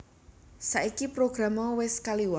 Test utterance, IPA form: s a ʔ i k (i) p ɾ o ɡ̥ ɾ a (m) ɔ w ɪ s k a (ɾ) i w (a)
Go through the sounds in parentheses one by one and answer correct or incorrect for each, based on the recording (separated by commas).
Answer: correct, correct, incorrect, correct